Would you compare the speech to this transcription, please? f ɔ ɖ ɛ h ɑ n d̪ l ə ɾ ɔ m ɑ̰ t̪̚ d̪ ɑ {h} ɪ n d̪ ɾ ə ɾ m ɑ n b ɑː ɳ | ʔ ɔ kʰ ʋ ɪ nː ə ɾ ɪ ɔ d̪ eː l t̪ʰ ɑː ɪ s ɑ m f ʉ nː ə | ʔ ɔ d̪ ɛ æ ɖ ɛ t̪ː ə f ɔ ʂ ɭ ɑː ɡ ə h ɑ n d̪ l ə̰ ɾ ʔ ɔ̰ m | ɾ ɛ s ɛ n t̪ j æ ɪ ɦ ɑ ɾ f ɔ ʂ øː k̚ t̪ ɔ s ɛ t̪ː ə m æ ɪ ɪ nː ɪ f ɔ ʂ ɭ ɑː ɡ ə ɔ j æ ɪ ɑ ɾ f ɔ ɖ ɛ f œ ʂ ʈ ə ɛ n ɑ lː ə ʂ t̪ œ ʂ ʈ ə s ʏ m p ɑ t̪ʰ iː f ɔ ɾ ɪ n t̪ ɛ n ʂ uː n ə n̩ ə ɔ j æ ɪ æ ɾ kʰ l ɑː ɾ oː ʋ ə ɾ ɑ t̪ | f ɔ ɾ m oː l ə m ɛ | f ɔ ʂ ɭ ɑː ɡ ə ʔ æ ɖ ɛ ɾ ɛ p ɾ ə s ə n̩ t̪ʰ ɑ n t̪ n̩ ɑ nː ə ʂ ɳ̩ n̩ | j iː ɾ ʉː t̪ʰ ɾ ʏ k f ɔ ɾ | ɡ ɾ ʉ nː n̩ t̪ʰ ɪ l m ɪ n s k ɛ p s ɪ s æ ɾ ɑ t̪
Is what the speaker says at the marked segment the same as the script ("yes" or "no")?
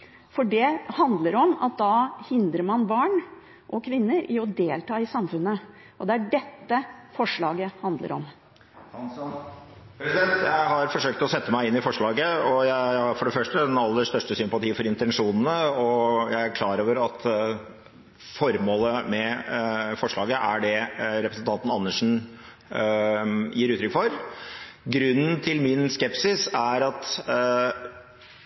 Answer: yes